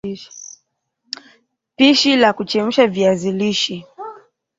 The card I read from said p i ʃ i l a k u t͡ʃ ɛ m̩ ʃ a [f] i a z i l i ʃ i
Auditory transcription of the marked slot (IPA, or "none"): v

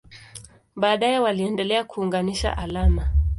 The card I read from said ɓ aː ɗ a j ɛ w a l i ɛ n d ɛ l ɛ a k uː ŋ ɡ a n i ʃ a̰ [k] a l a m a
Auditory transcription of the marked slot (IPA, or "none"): ʔ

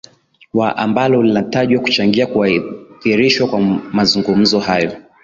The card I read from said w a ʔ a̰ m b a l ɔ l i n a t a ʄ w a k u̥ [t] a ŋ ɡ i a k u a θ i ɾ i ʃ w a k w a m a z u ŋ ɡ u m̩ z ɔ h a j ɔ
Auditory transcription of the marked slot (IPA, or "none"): t͡ʃ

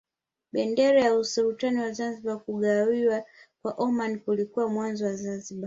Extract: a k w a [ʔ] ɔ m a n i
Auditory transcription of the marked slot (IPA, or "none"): ʔ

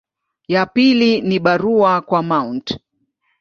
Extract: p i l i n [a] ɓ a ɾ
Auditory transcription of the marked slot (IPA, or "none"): i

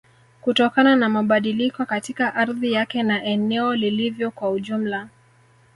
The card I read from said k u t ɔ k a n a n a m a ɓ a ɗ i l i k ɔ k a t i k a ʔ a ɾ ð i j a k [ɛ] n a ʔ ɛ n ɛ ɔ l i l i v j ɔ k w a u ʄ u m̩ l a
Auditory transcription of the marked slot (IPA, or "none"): ɛ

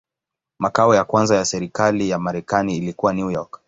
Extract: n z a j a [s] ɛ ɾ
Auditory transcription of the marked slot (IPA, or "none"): s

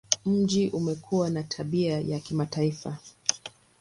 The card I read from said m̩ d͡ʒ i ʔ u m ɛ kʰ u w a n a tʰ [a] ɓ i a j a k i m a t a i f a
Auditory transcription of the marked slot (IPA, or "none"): a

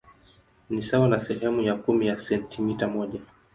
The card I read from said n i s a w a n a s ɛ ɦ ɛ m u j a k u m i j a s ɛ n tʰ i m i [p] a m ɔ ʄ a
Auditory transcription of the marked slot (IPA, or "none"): t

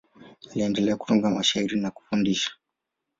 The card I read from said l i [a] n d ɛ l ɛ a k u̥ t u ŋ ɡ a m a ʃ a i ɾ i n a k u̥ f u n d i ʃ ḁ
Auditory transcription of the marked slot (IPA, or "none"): ɛ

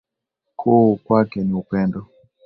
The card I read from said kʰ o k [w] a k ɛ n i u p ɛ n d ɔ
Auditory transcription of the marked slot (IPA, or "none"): w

